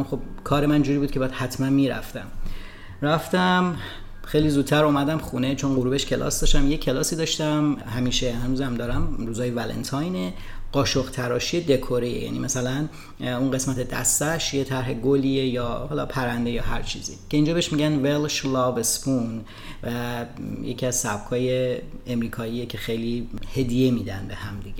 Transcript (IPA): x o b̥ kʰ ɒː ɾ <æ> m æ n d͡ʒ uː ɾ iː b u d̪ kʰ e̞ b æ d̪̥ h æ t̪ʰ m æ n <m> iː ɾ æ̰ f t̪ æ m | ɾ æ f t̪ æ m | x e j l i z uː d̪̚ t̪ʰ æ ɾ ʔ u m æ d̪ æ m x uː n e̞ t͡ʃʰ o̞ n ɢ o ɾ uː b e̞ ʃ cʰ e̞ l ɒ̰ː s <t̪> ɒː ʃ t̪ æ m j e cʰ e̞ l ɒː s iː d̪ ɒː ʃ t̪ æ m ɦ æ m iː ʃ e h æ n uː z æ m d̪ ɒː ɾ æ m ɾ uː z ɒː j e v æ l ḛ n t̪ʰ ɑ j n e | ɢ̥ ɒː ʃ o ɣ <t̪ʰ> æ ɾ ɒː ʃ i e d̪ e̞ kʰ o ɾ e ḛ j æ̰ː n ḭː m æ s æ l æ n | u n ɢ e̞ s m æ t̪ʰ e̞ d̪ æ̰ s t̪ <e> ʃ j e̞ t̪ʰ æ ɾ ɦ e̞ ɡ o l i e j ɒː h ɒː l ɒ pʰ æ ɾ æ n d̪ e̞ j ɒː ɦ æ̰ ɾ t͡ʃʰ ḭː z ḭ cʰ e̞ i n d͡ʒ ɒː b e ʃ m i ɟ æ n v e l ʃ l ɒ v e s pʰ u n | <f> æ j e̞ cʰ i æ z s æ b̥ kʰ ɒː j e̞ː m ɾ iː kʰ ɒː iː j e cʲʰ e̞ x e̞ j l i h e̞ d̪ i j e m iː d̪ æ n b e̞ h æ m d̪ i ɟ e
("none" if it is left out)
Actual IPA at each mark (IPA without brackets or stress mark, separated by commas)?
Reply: e, m, d̪, t̪ʰ, æ, v